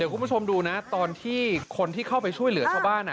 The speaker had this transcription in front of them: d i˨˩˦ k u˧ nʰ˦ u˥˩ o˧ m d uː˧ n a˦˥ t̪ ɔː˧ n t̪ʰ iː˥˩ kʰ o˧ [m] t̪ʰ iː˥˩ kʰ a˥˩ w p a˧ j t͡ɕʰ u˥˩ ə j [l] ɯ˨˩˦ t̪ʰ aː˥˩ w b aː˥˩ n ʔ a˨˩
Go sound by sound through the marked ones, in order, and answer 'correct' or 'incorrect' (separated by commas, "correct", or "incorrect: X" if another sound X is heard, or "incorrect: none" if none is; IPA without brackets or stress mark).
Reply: incorrect: n, correct